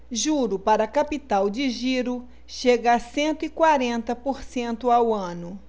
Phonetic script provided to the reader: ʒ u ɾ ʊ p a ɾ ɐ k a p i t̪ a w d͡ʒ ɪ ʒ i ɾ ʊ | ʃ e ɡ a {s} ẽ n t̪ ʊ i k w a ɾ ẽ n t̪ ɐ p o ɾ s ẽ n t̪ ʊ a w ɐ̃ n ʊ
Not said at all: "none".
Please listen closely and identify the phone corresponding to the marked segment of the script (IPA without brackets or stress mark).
s